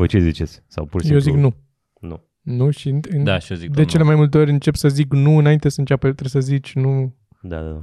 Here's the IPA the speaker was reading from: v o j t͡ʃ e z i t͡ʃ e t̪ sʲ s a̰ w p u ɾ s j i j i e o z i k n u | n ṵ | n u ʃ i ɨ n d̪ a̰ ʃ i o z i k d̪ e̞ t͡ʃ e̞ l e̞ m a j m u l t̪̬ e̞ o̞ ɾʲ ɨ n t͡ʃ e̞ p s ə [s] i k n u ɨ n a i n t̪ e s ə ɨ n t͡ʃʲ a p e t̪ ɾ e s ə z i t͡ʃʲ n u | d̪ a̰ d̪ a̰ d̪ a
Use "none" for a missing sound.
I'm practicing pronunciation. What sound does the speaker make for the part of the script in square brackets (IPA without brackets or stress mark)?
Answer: z